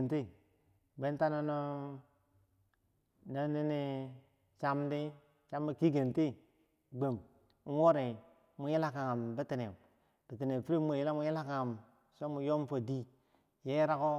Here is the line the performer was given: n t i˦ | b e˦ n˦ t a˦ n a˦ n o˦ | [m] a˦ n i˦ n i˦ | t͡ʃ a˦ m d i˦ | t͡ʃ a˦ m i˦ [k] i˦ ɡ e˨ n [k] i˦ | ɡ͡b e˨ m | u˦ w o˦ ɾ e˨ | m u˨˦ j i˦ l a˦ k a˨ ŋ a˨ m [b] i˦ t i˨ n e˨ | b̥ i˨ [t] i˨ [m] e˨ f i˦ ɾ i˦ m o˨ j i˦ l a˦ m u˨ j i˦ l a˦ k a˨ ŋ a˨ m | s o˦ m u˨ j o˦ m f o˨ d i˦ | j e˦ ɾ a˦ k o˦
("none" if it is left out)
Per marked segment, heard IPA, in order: n, k, t, b, t, n

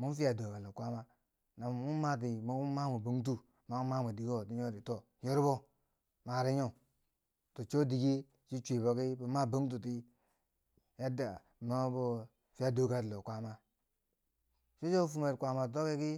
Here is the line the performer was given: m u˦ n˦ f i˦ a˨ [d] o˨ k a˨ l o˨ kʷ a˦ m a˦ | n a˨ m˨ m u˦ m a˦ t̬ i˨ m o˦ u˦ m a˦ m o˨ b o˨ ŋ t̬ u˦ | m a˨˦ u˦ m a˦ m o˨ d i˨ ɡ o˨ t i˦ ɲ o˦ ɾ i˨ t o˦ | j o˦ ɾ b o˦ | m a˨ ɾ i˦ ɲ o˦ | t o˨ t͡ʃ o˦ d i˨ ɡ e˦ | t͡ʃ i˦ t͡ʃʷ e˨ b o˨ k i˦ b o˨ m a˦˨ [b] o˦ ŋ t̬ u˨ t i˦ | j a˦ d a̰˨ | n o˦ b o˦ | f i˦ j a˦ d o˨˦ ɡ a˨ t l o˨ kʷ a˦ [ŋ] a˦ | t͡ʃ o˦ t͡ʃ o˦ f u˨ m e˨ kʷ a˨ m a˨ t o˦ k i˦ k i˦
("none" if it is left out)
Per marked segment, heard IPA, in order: d, b, m

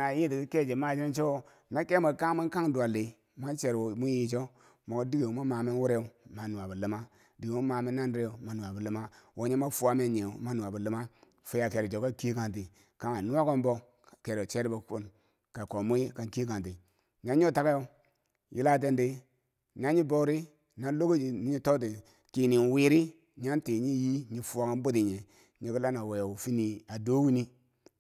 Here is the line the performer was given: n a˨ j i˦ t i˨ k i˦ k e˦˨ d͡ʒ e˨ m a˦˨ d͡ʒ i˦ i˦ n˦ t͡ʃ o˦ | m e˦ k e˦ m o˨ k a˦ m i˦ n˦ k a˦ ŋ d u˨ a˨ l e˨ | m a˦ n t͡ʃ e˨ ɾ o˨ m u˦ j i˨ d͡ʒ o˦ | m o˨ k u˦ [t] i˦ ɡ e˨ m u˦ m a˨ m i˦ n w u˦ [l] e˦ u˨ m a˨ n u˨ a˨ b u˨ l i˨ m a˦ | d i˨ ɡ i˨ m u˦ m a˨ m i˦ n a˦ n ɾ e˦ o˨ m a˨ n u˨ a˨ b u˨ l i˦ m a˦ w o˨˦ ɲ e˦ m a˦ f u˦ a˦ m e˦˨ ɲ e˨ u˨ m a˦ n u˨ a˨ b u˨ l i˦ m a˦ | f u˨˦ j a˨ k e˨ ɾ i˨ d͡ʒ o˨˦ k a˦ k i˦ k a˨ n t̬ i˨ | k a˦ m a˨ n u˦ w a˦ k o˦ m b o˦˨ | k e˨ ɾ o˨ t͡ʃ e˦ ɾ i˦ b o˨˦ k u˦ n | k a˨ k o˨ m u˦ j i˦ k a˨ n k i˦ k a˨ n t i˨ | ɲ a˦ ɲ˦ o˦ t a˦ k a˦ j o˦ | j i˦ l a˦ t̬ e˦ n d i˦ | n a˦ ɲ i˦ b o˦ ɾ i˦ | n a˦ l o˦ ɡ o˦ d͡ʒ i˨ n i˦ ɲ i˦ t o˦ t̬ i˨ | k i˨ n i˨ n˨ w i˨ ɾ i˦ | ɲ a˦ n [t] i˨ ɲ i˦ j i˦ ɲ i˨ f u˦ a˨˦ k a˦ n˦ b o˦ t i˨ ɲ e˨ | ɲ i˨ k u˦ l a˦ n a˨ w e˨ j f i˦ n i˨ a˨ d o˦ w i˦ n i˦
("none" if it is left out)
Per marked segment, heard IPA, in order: d, ɾ, t

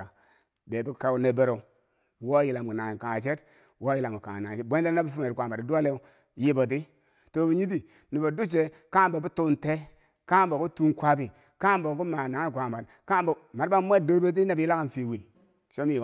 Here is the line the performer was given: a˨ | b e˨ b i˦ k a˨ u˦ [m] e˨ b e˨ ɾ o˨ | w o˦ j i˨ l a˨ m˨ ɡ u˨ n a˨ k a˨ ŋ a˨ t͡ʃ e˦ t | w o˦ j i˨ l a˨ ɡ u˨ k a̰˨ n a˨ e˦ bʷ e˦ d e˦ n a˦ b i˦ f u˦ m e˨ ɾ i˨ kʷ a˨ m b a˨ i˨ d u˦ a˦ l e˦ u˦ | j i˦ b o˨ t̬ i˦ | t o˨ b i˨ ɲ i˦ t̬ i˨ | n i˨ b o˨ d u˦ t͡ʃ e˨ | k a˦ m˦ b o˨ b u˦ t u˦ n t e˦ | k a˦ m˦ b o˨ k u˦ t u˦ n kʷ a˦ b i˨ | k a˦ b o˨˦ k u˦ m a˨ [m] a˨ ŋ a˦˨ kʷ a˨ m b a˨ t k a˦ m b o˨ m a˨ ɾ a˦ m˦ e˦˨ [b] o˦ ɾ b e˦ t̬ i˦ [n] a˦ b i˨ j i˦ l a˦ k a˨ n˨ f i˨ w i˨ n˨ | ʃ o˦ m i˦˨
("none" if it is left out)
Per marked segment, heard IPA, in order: n, n, d, n

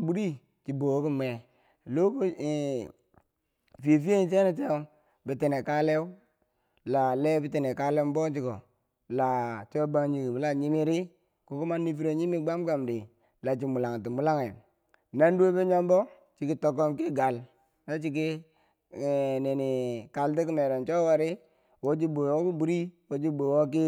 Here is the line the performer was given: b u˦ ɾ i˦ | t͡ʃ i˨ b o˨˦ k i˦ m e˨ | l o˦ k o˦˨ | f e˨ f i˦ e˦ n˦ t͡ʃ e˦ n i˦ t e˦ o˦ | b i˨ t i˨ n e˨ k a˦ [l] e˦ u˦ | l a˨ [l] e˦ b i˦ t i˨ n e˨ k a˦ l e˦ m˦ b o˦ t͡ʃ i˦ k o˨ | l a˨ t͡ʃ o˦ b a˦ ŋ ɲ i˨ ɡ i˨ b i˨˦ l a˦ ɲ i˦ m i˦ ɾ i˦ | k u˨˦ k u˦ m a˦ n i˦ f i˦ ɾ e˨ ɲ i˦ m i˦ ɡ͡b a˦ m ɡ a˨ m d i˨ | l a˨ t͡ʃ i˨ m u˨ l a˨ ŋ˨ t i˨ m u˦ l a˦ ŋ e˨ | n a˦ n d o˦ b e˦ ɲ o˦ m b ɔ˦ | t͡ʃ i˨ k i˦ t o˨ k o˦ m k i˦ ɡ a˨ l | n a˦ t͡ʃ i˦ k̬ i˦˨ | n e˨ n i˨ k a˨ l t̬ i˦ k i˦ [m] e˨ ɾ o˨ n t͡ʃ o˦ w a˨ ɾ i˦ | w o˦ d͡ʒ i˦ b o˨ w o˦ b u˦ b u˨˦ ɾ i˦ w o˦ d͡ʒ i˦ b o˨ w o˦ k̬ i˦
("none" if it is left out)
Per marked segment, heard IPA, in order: l, l, m

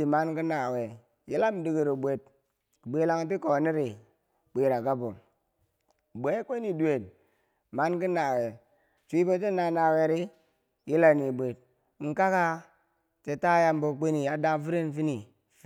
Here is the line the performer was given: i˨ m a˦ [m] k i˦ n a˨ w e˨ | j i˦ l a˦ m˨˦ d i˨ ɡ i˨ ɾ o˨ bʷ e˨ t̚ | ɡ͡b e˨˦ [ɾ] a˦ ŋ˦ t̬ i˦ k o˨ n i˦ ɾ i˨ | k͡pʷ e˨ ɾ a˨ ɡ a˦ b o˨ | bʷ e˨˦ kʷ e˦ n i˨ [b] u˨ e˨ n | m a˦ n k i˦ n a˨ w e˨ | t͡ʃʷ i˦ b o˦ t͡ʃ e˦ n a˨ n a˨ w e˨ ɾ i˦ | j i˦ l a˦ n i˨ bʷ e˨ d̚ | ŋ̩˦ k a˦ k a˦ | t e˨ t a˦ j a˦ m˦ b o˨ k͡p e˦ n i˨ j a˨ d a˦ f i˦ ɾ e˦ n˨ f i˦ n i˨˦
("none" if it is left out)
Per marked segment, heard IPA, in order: n, l, d

